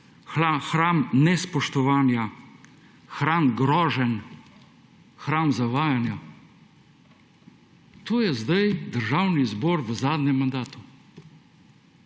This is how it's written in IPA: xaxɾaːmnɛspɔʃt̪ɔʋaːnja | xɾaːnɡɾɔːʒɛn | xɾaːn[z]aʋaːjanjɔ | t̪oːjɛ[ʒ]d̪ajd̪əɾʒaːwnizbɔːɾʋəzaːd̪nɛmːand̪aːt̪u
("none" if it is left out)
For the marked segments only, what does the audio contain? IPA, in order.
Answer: z, z

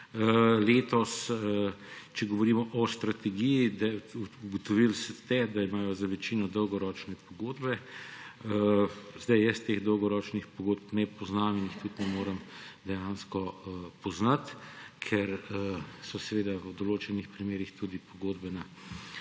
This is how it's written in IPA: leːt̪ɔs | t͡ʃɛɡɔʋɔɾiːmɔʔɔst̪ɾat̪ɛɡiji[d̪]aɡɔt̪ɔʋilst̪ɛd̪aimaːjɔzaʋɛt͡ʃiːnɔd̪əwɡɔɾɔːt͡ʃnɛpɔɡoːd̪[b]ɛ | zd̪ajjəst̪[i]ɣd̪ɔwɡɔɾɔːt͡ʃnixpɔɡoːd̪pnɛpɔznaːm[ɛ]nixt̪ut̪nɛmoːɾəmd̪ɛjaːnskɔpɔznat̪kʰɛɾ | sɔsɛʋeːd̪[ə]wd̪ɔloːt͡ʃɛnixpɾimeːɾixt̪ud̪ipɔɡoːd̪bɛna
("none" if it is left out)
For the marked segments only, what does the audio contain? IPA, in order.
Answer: d̪, b, e, i, a

